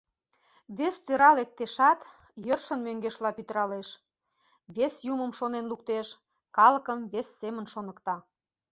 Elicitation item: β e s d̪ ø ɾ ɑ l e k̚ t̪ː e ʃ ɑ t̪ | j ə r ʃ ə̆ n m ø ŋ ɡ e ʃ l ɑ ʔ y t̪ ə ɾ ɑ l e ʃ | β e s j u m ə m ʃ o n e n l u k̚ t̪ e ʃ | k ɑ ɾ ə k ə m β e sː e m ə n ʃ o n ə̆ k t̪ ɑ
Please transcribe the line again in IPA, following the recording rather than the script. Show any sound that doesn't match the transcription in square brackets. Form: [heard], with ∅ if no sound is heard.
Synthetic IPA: β e s [t̪] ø ɾ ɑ l e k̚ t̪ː e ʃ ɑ t̪ | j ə r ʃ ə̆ n m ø ŋ ɡ e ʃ l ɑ [p] y t̪ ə ɾ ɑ l e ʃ | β e s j u m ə m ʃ o n e n l u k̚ t̪ e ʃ | k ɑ [l] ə k ə m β e sː e m ə n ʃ o n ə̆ k t̪ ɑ